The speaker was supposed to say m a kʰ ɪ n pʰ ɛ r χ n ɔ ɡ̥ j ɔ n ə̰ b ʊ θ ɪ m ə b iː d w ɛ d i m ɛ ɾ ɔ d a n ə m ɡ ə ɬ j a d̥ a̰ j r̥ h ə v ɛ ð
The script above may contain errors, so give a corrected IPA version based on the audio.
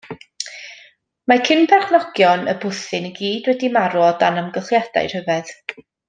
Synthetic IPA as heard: m a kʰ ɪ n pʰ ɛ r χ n ɔ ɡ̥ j ɔ n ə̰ b ʊ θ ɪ n ə ɡ iː d w ɛ d i m a ɾ ɔ d a n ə m ɡ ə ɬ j a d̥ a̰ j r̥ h ə v ɛ ð